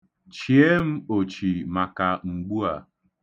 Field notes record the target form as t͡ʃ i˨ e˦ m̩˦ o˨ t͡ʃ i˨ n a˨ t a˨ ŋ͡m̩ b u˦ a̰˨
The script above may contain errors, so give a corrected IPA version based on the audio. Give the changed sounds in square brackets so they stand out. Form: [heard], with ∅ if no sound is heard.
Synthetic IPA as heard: t͡ʃ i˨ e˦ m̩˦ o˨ t͡ʃ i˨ [m] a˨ [k] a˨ ŋ͡m̩ [ɡ͡b] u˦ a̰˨